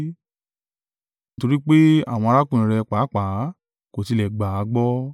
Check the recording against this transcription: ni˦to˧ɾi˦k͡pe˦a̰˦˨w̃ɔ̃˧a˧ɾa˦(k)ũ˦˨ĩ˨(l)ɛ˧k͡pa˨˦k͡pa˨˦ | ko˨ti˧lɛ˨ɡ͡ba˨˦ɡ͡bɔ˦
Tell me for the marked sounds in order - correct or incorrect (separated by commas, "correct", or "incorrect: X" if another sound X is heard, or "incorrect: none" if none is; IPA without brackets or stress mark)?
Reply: correct, incorrect: ɾ